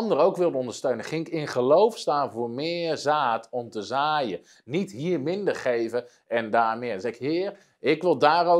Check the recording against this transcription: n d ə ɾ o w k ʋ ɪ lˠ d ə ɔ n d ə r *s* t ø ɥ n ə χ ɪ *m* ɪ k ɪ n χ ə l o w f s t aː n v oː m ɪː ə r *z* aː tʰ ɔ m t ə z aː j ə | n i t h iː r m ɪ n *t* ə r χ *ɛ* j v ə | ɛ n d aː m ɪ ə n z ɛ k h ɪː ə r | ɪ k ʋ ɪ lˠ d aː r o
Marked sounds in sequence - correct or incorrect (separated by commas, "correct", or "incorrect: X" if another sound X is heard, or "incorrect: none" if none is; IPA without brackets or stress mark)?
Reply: correct, incorrect: ŋ, correct, incorrect: d, incorrect: e